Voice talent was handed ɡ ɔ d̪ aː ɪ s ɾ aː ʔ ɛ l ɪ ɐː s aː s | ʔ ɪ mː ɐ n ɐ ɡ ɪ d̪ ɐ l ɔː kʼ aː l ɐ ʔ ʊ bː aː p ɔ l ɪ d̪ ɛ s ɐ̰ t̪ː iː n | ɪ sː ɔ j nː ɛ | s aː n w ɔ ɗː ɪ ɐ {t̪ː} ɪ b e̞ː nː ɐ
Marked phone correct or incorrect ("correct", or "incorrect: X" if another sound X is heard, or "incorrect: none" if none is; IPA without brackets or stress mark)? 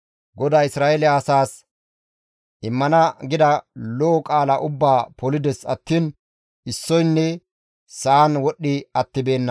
correct